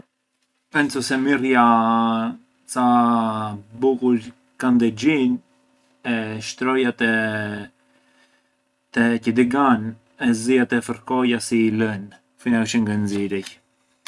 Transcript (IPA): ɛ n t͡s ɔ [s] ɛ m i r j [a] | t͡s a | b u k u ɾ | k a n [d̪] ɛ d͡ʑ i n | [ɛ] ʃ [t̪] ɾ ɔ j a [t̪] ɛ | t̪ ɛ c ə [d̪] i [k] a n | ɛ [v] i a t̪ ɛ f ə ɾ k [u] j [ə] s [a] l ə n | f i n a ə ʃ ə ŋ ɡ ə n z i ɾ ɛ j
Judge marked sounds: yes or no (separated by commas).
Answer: yes, yes, yes, yes, yes, yes, yes, no, no, no, no, no